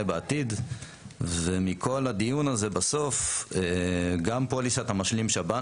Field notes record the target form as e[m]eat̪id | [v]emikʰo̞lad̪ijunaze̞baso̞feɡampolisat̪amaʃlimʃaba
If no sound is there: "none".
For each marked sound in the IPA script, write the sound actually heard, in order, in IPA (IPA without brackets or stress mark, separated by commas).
b, v